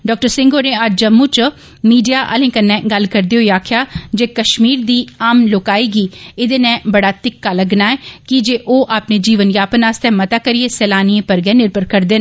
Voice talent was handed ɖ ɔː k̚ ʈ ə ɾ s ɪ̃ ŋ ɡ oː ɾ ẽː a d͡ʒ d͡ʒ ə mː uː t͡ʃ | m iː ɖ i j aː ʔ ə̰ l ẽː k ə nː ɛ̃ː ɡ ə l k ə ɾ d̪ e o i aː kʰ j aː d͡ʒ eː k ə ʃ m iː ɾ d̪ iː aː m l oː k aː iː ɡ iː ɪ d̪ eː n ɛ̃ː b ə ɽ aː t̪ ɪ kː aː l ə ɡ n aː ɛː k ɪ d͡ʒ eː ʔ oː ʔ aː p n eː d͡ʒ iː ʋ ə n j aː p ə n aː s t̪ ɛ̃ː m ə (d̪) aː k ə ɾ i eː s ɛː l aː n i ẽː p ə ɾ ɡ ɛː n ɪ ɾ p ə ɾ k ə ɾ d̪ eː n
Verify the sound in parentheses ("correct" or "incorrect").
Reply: incorrect